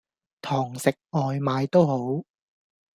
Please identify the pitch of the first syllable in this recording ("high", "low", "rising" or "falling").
low